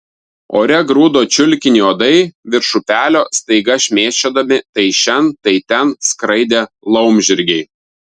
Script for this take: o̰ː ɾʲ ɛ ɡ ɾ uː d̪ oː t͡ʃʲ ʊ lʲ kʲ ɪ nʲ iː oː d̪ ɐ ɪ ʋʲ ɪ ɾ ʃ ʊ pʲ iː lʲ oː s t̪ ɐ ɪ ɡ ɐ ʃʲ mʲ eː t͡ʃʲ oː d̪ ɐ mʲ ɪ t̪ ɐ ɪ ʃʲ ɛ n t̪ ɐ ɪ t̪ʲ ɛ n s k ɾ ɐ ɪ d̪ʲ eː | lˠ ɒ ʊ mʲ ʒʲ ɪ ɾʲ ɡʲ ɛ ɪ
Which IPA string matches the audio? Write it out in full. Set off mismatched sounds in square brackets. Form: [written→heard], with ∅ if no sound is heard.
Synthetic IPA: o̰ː ɾʲ ɛ ɡ ɾ uː d̪ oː t͡ʃʲ ʊ lʲ kʲ ɪ nʲ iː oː d̪ ɐ ɪ ʋʲ ɪ ɾ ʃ ʊ pʲ [iː→æː] lʲ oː s t̪ ɐ ɪ ɡ ɐ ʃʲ mʲ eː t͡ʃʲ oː d̪ ɐ mʲ ɪ t̪ ɐ ɪ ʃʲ ɛ n t̪ ɐ ɪ t̪ʲ ɛ n s k ɾ ɐ ɪ d̪ʲ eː | lˠ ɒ ʊ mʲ ʒʲ ɪ ɾʲ ɡʲ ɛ ɪ

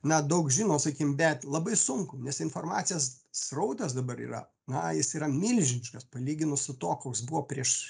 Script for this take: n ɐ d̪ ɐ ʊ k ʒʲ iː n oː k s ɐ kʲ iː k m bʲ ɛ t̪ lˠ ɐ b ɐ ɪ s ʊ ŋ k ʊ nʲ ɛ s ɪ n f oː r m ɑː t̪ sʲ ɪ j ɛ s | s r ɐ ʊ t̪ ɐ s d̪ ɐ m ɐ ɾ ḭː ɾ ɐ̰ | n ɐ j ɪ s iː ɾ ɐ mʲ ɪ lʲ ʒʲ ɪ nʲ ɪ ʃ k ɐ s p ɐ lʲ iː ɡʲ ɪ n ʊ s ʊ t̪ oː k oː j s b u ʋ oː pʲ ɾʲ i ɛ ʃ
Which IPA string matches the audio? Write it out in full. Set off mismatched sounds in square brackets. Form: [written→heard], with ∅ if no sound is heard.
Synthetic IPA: n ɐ d̪ ɐ ʊ k ʒʲ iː n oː [k→∅] s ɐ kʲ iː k m bʲ ɛ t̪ lˠ ɐ b ɐ ɪ s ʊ ŋ k ʊ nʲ ɛ s ɪ n f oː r m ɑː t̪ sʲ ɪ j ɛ s | s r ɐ ʊ t̪ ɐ s d̪ ɐ [m→b] ɐ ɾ ḭː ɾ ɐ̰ | n ɐ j ɪ s iː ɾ ɐ mʲ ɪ lʲ ʒʲ ɪ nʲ ɪ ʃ k ɐ s p ɐ lʲ iː ɡʲ ɪ n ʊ s ʊ t̪ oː k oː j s b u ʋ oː pʲ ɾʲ i ɛ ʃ

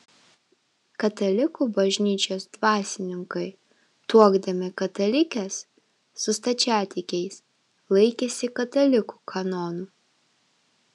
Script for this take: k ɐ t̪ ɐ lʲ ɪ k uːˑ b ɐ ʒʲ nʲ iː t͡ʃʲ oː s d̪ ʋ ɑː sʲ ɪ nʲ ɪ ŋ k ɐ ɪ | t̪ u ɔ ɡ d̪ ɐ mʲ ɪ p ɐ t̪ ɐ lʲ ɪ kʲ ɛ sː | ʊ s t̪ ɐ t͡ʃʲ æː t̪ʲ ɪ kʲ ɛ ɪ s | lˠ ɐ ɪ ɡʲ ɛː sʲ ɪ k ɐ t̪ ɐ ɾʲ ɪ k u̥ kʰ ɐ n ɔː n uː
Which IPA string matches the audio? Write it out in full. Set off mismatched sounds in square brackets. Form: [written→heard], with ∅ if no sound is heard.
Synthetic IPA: k ɐ t̪ ɐ lʲ ɪ k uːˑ b ɐ ʒʲ nʲ iː t͡ʃʲ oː s d̪ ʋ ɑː sʲ ɪ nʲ ɪ ŋ k ɐ ɪ | t̪ u ɔ ɡ d̪ ɐ mʲ ɪ [p→k] ɐ t̪ ɐ lʲ ɪ kʲ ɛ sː | ʊ s t̪ ɐ t͡ʃʲ æː t̪ʲ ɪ kʲ ɛ ɪ s | lˠ ɐ ɪ [ɡʲ→kʲ] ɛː sʲ ɪ k ɐ t̪ ɐ [ɾʲ→lʲ] ɪ k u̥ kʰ ɐ n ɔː n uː

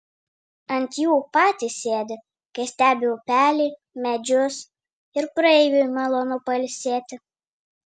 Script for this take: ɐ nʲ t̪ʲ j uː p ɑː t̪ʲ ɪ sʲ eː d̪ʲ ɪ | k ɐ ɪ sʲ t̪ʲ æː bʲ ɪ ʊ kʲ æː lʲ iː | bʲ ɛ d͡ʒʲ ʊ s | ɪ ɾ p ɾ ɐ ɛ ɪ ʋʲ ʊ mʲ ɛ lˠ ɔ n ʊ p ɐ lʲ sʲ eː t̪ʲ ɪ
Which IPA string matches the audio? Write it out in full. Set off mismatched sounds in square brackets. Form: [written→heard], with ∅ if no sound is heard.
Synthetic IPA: ɐ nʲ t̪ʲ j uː p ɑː t̪ʲ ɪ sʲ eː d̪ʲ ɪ | k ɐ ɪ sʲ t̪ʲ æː bʲ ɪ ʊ [kʲ→pʲ] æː lʲ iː | [bʲ→mʲ] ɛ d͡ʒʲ ʊ s | ɪ ɾ p ɾ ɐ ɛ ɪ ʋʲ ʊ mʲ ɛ lˠ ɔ n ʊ p ɐ lʲ sʲ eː t̪ʲ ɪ

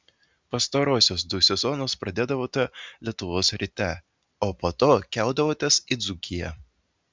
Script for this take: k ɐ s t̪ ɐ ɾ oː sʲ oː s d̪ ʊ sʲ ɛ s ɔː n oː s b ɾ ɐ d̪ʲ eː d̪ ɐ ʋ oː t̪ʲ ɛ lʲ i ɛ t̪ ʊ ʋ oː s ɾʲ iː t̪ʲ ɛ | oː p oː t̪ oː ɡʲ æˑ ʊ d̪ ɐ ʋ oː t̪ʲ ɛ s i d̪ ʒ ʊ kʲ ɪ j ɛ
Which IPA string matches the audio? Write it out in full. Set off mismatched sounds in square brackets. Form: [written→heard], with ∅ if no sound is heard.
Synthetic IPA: [k→p] ɐ s t̪ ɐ ɾ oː sʲ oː s d̪ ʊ sʲ ɛ [s→z] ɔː n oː s [b→p] ɾ ɐ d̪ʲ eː d̪ ɐ ʋ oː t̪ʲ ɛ lʲ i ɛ t̪ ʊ ʋ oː s ɾʲ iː t̪ʲ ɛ | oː p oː t̪ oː [ɡʲ→kʲ] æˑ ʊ d̪ ɐ ʋ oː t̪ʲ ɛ s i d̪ [ʒ→z] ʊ kʲ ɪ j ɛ

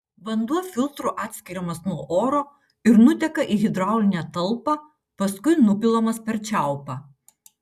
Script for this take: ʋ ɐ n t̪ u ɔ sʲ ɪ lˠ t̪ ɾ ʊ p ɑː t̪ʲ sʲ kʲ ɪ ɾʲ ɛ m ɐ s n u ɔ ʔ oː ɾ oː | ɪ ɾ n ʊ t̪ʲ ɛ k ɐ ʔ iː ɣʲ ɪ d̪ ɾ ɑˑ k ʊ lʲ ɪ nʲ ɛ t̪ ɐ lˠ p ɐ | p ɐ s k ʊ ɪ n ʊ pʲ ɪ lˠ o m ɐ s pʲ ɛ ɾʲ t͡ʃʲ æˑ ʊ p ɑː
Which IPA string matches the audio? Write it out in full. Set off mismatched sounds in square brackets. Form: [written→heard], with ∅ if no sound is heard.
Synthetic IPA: ʋ ɐ n [t̪→d̪] u ɔ [sʲ→fʲ] ɪ lˠ t̪ ɾ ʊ [p→ʔ] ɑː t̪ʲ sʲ kʲ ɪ ɾʲ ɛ m ɐ s n u ɔ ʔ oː ɾ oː | ɪ ɾ n ʊ t̪ʲ ɛ k ɐ ʔ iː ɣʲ ɪ d̪ ɾ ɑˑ [k→∅] ʊ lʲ ɪ nʲ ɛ t̪ ɐ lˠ p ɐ | p ɐ s k ʊ ɪ n ʊ pʲ ɪ lˠ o m ɐ s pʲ ɛ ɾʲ t͡ʃʲ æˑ ʊ p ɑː

